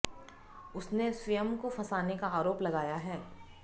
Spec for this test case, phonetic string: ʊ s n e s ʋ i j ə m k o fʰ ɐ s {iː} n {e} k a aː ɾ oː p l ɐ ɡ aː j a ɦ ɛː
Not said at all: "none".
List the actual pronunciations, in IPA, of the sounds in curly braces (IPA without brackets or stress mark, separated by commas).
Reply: aː, e